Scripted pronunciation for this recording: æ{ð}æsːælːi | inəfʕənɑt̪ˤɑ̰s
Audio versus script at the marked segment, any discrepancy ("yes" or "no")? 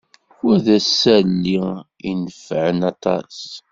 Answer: no